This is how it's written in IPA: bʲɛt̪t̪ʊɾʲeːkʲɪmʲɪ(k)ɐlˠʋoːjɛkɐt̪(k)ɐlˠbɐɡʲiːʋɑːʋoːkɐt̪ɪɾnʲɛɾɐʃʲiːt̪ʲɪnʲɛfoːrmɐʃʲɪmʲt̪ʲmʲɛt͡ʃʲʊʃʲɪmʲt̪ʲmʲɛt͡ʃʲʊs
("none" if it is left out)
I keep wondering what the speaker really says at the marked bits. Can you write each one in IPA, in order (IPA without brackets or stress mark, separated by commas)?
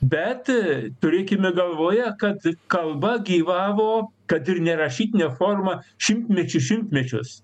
ɡ, k